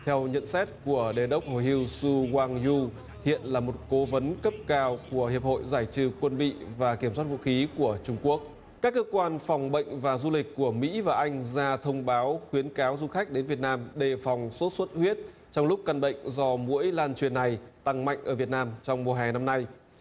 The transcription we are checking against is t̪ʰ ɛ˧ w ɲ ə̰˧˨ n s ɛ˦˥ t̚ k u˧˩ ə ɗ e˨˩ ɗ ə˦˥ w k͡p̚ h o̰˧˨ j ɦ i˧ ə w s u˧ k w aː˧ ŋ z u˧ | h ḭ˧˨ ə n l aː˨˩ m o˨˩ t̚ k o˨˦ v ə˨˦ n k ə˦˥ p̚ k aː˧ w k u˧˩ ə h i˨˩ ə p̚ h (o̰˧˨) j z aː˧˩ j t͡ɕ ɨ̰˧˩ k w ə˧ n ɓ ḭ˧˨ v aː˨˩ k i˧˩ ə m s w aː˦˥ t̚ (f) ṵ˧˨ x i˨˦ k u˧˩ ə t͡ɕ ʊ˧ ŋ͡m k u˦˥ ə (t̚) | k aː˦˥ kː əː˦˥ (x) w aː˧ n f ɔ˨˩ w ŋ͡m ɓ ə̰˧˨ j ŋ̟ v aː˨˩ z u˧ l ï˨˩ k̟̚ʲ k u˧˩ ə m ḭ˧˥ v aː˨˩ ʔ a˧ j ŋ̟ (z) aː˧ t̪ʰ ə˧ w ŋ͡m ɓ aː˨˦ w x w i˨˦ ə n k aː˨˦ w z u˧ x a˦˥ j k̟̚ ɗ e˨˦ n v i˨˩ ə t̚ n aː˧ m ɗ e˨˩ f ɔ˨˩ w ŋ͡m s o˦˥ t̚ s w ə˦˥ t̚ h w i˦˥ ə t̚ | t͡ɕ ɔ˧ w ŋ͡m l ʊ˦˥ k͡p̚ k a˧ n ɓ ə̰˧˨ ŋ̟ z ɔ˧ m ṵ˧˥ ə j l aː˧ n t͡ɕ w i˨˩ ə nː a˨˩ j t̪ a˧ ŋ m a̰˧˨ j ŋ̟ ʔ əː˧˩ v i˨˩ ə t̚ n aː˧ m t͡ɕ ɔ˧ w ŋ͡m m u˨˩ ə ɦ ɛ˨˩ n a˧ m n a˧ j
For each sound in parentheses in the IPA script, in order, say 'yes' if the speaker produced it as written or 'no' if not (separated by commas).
yes, no, no, no, yes